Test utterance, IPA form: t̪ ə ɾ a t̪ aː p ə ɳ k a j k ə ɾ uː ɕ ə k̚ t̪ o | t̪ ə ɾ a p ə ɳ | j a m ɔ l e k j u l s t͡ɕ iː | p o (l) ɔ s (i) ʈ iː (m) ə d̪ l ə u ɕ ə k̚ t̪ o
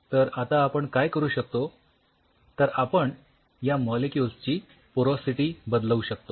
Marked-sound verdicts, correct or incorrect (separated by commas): incorrect, correct, incorrect